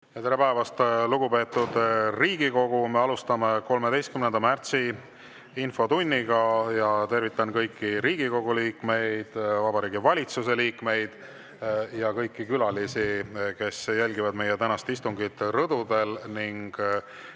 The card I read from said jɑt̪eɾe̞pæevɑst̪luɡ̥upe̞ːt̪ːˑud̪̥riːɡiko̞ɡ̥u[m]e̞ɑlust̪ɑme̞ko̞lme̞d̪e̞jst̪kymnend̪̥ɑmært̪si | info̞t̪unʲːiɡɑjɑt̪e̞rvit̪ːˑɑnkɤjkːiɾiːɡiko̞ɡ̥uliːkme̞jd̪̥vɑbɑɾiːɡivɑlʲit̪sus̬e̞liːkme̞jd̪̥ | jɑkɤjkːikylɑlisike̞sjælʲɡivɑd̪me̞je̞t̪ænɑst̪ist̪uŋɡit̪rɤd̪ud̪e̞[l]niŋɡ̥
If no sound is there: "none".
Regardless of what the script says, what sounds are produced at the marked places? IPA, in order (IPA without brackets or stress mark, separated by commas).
m, l